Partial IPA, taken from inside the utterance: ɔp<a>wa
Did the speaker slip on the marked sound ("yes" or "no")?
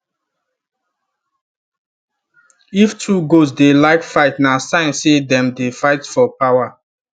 no